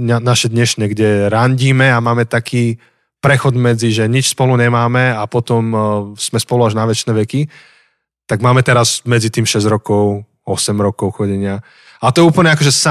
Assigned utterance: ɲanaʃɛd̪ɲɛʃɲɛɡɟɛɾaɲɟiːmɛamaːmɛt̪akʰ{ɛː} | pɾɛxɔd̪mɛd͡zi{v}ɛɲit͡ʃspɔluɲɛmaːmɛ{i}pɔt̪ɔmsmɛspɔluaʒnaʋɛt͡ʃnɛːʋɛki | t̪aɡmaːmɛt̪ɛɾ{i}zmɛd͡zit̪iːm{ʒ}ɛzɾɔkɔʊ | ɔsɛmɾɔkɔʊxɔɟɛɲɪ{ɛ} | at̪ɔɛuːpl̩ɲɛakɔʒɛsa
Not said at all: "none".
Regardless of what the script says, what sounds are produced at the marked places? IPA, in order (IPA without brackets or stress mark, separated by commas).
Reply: iː, ʒ, a, a, ʃ, a